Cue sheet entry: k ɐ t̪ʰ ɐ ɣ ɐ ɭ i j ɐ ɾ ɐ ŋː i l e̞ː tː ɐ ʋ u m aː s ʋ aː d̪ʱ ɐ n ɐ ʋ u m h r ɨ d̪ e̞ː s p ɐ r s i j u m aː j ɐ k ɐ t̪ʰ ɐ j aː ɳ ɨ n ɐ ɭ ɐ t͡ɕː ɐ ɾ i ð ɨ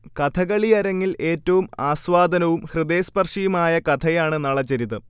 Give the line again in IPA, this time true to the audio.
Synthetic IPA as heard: k ɐ t̪ʰ ɐ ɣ ɐ ɭ i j ɐ ɾ ɐ ŋː i l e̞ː tː ɐ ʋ u m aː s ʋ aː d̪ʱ ɐ n ɐ ʋ u m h r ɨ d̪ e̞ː s p ɐ r ʂ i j u m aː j ɐ k ɐ t̪ʰ ɐ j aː ɳ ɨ n ɐ ɭ ɐ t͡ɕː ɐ ɾ i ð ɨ